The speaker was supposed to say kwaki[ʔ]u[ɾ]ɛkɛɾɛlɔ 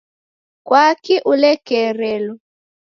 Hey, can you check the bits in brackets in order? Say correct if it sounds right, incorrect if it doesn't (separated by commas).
correct, incorrect